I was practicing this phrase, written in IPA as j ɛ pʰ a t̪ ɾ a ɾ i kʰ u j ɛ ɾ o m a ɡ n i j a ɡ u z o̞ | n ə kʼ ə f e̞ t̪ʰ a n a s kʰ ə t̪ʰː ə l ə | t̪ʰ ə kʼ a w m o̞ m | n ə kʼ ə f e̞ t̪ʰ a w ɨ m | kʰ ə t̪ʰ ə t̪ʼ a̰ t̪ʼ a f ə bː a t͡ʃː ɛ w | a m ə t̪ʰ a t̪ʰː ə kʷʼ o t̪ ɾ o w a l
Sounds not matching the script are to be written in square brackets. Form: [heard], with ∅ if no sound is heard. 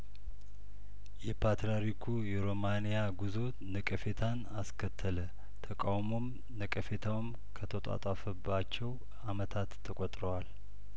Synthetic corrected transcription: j ɛ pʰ a t̪ ɾ a ɾ i kʰ u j ɛ ɾ o m a [∅] n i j a ɡ u z o̞ | n ə kʼ ə f e̞ t̪ʰ a n a s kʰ ə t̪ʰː ə l ə | t̪ʰ ə kʼ a w m o̞ m | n ə kʼ ə f e̞ t̪ʰ a w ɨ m | kʰ ə t̪ʰ ə t̪ʼ a̰ t̪ʼ a f ə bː a t͡ʃː ɛ w | a m ə t̪ʰ a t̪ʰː ə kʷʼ o [t̪ʼ] ɾ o w a l